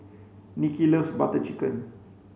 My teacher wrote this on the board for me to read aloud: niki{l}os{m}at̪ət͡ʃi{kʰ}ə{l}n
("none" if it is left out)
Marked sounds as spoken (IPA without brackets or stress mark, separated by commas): l, b, k, none